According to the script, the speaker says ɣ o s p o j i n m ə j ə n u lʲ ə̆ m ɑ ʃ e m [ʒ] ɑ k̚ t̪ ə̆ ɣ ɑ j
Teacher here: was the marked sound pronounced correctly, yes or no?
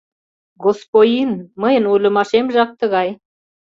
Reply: yes